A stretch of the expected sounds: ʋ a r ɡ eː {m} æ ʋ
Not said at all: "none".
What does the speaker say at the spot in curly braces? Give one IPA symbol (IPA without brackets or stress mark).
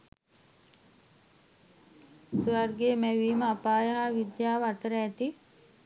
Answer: m